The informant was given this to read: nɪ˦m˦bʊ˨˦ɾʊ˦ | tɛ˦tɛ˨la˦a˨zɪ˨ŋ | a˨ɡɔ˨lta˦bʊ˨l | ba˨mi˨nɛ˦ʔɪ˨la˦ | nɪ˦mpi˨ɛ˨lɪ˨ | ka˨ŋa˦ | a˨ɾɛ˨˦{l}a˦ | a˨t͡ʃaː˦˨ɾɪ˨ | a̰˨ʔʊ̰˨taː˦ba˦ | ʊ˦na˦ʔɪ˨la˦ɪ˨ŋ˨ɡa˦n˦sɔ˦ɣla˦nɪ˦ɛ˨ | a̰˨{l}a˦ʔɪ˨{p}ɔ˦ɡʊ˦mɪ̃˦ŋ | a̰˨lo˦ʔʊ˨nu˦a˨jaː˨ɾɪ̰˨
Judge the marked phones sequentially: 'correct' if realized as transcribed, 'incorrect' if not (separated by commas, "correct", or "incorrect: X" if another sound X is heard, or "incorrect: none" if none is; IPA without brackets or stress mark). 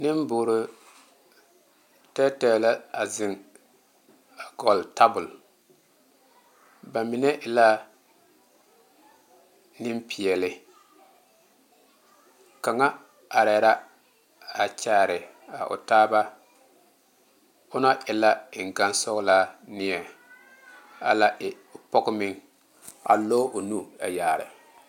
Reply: incorrect: ɾ, correct, correct